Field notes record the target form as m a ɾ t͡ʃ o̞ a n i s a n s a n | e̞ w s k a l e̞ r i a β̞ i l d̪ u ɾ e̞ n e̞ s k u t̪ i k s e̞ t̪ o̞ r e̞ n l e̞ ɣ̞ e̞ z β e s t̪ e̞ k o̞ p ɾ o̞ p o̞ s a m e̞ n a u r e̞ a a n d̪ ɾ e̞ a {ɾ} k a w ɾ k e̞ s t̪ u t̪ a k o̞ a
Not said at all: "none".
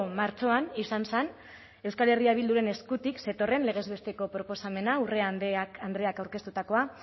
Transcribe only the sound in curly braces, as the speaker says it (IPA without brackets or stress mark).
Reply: none